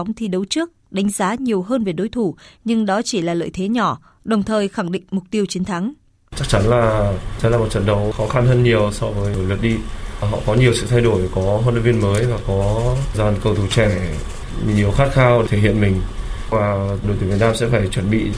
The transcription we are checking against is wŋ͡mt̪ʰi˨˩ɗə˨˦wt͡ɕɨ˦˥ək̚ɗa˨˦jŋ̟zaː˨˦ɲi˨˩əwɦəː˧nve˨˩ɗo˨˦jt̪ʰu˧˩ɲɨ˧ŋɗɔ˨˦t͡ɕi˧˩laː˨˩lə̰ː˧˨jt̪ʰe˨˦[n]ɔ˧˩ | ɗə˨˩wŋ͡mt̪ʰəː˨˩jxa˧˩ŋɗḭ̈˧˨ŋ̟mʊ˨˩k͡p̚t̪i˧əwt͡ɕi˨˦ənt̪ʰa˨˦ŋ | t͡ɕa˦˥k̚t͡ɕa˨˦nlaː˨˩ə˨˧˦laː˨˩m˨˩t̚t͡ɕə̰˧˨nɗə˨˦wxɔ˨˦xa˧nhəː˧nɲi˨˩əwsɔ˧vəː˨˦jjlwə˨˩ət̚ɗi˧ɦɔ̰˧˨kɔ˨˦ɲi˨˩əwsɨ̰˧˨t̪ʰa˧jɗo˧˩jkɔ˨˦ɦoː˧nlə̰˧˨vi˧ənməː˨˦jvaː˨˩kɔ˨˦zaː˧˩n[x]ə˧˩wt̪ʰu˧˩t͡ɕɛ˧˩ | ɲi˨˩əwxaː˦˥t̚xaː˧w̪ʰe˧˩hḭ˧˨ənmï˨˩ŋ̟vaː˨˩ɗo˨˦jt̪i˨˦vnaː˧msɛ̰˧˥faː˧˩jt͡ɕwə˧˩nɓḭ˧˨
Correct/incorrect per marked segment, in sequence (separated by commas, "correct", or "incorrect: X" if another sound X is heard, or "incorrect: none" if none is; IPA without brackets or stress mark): incorrect: ɲ, incorrect: k